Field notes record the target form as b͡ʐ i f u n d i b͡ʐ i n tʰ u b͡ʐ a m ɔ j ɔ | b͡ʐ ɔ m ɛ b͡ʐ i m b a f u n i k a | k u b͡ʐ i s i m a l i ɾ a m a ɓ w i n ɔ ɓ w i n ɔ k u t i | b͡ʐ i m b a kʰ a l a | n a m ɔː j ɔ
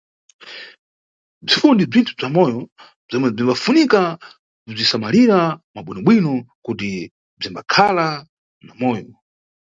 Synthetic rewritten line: b͡ʐ i f u n d i b͡ʐ i n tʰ u b͡ʐ a m ɔ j ɔ | b͡ʐ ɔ m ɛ b͡ʐ i m b a f u n i k a | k u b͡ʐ i s a m a l i ɾ a m a ɓ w i n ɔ ɓ w i n ɔ k u t i | b͡ʐ i m b a kʰ a l a | n a m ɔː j ɔ